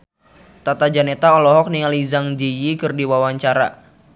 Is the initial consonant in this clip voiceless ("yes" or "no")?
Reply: yes